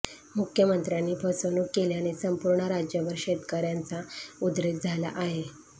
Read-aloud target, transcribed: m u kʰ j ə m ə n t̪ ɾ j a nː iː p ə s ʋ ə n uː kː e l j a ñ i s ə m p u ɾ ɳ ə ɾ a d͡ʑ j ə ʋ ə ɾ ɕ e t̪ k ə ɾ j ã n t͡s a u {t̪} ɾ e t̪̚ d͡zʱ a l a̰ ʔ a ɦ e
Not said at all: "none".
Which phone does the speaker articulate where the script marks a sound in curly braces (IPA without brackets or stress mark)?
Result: d̪